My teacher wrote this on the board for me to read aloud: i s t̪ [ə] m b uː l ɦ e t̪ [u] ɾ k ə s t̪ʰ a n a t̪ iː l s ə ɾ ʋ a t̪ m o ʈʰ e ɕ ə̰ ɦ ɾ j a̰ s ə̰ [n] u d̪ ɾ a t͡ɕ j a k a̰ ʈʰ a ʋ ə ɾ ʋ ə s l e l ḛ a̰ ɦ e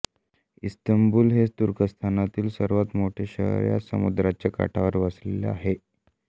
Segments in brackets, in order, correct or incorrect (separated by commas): correct, correct, incorrect